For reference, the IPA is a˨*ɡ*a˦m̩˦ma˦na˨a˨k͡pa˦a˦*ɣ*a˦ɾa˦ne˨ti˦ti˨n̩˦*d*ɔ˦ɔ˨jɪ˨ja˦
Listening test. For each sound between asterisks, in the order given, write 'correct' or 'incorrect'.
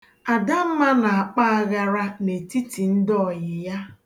incorrect, correct, correct

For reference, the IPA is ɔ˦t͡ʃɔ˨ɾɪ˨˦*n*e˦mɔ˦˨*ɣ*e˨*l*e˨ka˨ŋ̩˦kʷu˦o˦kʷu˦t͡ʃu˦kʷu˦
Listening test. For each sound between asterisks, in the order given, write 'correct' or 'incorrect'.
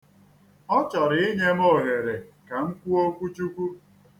incorrect, correct, incorrect

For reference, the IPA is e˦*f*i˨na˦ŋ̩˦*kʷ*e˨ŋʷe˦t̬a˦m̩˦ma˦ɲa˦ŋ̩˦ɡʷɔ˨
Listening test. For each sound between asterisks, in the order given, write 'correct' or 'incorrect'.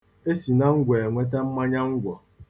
incorrect, incorrect

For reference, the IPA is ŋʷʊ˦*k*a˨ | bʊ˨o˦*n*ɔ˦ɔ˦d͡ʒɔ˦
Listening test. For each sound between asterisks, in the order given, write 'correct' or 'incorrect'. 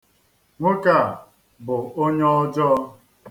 correct, incorrect

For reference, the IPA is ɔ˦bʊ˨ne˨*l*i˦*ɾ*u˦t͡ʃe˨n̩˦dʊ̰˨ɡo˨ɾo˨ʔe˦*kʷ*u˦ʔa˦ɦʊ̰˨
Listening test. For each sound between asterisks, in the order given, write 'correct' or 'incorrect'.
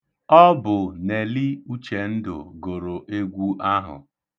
correct, incorrect, incorrect

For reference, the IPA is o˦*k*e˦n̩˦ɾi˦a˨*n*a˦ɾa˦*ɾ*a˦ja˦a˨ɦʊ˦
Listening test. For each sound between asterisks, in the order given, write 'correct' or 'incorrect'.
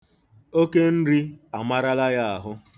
correct, incorrect, incorrect

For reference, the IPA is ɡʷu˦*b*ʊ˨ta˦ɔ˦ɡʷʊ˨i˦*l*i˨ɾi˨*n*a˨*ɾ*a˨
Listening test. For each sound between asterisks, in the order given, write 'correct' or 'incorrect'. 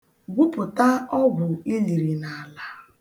incorrect, correct, correct, incorrect

